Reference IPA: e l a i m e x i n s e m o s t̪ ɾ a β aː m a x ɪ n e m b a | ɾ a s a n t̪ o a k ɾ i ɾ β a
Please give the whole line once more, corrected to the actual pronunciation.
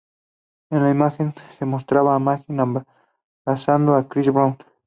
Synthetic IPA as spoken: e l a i m a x e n s e m o s t̪ ɾ a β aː m a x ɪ n a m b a | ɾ a s a n d̪ o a k ɾ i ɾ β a